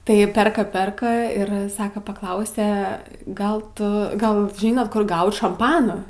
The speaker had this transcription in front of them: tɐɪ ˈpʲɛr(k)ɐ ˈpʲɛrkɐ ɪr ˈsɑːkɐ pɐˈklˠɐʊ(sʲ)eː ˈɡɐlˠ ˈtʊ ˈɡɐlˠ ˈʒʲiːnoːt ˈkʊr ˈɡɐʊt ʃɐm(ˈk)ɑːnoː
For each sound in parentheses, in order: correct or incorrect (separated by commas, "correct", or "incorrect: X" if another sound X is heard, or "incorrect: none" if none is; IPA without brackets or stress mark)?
correct, correct, incorrect: p